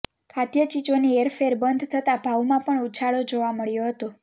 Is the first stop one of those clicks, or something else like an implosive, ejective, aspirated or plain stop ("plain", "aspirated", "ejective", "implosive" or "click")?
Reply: aspirated